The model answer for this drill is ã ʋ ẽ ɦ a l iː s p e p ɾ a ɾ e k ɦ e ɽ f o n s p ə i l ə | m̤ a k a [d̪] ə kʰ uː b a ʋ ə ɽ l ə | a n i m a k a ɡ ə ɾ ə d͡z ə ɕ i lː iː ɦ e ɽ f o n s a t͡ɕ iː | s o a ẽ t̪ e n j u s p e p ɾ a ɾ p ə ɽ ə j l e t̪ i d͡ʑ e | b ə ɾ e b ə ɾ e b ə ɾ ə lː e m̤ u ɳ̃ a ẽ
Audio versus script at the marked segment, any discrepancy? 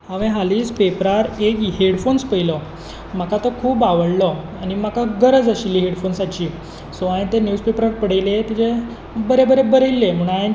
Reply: yes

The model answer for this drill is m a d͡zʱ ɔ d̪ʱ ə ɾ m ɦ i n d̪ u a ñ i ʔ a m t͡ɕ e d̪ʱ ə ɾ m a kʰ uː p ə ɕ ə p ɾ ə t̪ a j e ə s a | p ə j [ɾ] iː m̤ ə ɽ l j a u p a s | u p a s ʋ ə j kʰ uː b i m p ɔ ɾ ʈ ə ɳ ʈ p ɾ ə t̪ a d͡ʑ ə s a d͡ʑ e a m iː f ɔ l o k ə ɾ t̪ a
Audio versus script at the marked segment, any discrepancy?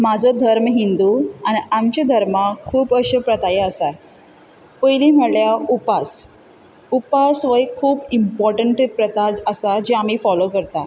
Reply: yes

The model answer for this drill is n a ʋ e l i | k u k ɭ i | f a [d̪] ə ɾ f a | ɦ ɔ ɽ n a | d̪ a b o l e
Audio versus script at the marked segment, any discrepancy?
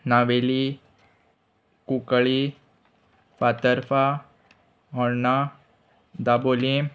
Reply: yes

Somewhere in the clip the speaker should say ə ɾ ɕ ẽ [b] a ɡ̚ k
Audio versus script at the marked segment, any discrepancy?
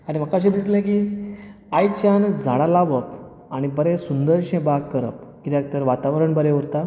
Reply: no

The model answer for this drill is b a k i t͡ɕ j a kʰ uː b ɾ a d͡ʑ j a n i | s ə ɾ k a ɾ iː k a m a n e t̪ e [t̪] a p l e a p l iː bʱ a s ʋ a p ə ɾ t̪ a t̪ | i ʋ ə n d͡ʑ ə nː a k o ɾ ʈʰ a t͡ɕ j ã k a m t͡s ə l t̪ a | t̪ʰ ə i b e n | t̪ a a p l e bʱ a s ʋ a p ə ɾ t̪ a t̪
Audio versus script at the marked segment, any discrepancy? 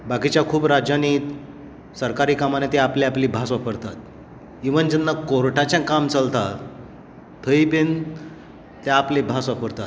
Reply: yes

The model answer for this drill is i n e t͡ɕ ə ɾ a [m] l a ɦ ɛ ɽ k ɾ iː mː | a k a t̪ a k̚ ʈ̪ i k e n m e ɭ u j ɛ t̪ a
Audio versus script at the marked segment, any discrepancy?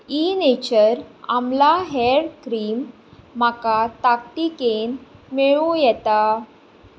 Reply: no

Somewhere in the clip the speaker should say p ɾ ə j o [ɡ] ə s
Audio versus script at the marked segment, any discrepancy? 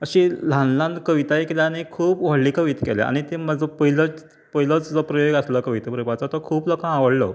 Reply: no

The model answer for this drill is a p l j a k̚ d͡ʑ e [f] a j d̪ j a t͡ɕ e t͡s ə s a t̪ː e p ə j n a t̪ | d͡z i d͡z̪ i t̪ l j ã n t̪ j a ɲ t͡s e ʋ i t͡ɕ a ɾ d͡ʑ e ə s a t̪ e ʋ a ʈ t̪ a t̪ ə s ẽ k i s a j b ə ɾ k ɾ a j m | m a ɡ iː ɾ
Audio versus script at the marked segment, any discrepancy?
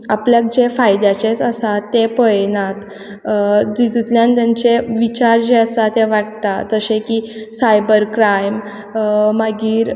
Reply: no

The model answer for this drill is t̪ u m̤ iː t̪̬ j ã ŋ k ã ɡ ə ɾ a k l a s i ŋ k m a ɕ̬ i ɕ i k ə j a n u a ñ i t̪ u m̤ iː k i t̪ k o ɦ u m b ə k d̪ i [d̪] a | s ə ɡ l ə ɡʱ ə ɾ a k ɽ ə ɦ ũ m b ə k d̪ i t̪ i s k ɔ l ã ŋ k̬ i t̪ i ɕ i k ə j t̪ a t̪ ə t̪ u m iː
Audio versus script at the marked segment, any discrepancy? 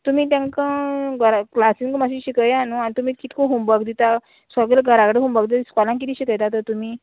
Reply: yes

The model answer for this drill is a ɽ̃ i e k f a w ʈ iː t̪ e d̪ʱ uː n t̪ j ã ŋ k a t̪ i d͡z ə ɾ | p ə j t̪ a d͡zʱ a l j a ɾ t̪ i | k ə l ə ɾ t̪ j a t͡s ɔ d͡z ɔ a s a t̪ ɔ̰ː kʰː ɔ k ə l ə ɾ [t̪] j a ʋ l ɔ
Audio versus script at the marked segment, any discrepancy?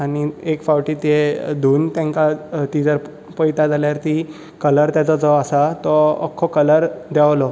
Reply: yes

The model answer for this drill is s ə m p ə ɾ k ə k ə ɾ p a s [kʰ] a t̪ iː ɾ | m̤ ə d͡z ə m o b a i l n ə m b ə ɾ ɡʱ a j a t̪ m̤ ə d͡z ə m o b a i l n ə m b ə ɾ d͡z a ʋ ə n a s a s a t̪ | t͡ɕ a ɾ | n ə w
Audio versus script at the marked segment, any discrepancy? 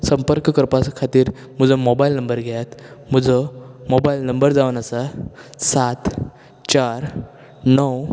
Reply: no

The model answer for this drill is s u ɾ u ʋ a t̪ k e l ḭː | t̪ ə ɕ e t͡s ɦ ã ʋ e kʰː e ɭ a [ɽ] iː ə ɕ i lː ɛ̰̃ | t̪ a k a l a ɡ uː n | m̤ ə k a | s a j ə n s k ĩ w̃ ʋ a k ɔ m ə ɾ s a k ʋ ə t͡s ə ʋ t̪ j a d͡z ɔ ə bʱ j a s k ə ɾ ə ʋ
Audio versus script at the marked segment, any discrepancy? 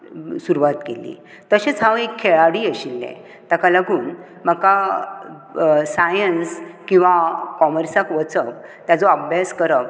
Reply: no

